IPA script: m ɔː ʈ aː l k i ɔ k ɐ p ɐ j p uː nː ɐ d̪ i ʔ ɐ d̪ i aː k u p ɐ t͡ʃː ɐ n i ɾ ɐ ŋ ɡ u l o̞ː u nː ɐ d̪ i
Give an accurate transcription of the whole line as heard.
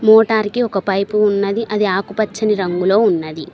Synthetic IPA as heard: m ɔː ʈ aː ɾ k i ɔ k ɐ p ɐ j p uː nː ɐ d̪ i ʔ ɐ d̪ i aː k u p ɐ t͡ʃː ɐ n i ɾ ɐ ŋ ɡ u l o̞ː u nː ɐ d̪ i